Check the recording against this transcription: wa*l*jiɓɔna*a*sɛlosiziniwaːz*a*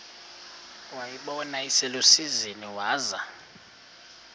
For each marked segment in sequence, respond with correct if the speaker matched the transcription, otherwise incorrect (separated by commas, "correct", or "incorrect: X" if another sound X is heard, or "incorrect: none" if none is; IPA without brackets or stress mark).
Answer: incorrect: none, incorrect: i, correct